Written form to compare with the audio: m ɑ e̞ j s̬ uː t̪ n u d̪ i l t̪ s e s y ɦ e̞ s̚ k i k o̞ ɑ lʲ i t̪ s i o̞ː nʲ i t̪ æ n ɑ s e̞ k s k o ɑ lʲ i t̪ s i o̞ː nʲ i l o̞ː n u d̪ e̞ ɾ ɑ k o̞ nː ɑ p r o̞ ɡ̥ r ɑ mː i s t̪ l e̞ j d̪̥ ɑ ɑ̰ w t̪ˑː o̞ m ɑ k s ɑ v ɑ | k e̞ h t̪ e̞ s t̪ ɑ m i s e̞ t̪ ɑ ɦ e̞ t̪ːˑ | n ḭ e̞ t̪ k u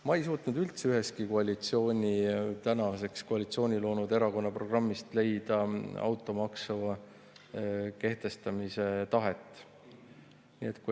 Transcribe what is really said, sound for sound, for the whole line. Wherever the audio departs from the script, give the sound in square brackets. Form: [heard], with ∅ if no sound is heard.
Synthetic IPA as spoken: m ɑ e̞ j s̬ uː t̪ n u d̪ [y] l t̪ s e [∅] y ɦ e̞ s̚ k i k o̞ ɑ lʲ i t̪ s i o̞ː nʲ i t̪ æ n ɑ s e̞ k s k o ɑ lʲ i t̪ s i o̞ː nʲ i l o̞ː n u d̪ e̞ ɾ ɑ k o̞ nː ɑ p r o̞ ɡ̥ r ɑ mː i s t̪ l e̞ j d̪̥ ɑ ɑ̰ w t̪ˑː o̞ m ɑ k s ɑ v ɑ | k e̞ h t̪ e̞ s t̪ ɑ m i s e̞ t̪ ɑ ɦ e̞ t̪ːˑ | n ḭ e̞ t̪ k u